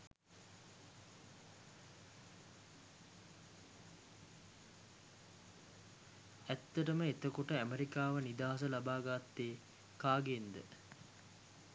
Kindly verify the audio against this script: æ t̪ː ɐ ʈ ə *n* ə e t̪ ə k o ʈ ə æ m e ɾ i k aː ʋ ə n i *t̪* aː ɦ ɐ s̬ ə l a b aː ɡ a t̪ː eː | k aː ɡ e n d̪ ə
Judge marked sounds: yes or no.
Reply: no, no

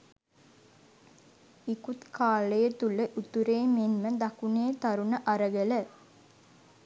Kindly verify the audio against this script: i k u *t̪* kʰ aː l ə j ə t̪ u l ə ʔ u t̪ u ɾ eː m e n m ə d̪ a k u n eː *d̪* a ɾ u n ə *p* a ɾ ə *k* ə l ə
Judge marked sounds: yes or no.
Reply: yes, no, no, no

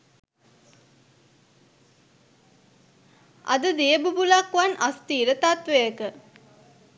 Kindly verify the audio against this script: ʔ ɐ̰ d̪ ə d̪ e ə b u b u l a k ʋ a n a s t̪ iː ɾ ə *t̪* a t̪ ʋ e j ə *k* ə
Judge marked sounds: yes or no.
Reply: yes, yes

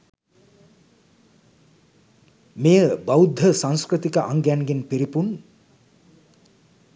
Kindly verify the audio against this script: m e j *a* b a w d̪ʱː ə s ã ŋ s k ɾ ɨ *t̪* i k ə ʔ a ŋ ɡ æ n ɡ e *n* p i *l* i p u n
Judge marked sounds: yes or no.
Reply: no, yes, yes, no

